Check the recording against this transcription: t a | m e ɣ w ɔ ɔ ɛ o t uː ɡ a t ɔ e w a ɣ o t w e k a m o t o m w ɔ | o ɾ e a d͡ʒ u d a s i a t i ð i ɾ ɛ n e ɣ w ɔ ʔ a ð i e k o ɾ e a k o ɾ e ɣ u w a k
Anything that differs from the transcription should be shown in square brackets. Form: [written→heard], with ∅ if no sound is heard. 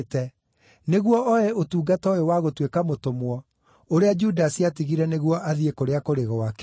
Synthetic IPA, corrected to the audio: t [a→ɛ] | [m→n] e ɣ w ɔ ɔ ɛ o t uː ɡ a t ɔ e w a ɣ o t w e k a m o t o m w ɔ | o ɾ e a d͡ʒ u d a s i a t i [ð→ɣ] i ɾ ɛ n e ɣ w ɔ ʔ a ð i e k o ɾ e a k o ɾ e ɣ [u→ɔ] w a k